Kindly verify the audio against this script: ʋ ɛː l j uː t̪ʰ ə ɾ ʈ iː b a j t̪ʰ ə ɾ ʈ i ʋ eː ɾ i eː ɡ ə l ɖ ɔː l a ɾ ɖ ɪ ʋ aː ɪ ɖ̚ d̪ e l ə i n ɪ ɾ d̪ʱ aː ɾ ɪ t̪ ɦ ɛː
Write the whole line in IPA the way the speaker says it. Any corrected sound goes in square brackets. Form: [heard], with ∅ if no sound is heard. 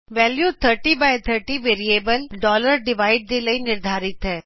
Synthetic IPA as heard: ʋ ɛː l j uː t̪ʰ ə ɾ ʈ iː b a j t̪ʰ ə ɾ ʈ i ʋ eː ɾ i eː [b] ə l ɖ ɔː l [ə] ɾ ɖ ɪ ʋ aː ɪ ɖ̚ d̪ e l ə i n ɪ ɾ d̪ʱ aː ɾ ɪ t̪ ɦ ɛː